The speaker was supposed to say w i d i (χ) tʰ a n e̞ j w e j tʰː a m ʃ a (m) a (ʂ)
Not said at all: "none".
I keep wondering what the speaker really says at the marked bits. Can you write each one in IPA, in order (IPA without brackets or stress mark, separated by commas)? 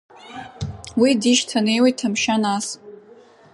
ʃ, n, s